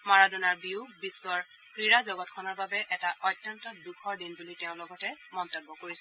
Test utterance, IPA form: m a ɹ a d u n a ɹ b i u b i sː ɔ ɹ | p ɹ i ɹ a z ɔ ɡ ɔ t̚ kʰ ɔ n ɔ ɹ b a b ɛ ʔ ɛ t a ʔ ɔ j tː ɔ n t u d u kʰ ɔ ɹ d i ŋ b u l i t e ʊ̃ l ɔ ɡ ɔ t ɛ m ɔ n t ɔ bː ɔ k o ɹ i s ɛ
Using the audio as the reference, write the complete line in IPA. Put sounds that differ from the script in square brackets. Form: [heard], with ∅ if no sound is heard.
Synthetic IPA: m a ɹ a d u n a ɹ b i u b i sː ɔ ɹ | p ɹ i ɹ a z ɔ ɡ ɔ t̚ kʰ ɔ n ɔ ɹ b a b ɛ ʔ ɛ t a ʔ ɔ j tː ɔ n t [ɔ] d u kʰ ɔ ɹ d i [n] b u l i t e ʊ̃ l ɔ ɡ ɔ t ɛ m ɔ n t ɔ bː ɔ k o ɹ i s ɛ